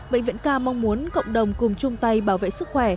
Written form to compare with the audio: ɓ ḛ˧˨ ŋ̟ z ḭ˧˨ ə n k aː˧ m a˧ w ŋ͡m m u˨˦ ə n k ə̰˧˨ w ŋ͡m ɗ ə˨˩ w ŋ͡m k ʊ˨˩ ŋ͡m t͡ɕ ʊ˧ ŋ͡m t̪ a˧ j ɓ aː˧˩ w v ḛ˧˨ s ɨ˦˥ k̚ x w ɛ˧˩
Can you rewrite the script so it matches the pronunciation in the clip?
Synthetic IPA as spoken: ɓ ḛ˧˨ ŋ̟ v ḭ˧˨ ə n k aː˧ m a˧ w ŋ͡m m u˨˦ ə n k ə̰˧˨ w ŋ͡m ɗ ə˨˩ w ŋ͡m k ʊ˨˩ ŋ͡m t͡ɕ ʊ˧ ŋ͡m t̪ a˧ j ɓ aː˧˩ w v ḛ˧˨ s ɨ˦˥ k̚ x w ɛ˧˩